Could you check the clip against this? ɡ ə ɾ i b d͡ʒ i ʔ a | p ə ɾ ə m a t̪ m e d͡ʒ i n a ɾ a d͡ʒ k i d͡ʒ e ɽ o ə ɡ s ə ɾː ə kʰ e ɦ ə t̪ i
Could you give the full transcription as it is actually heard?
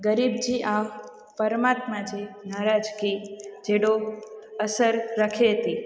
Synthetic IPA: ɡ ə ɾ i b d͡ʒ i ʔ a | p ə ɾ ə m a t̪ m a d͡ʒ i n a ɾ a d͡ʒ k i d͡ʒ e ɽ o ə s ə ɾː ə kʰ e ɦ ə t̪ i